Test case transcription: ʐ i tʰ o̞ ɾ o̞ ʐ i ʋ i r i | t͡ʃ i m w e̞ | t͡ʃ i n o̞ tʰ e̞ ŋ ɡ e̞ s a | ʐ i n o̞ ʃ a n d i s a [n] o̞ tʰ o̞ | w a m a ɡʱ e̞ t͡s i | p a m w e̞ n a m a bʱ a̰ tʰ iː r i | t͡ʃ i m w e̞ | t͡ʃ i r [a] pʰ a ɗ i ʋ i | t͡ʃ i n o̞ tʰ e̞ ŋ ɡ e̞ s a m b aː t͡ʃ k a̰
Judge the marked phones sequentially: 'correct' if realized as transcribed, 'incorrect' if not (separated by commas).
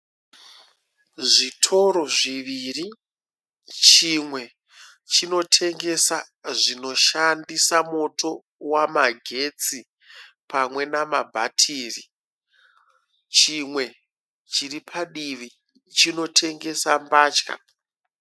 incorrect, incorrect